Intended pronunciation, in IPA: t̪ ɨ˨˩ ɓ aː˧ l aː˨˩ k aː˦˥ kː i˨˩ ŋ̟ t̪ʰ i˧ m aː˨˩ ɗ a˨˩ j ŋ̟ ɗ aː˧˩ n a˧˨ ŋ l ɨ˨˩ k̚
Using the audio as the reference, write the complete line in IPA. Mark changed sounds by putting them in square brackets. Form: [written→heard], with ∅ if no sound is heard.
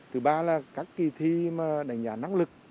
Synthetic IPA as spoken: t̪ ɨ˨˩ ɓ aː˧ l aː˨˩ k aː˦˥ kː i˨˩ [ŋ̟→∅] t̪ʰ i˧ m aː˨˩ ɗ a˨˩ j ŋ̟ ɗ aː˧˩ n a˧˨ ŋ l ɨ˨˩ k̚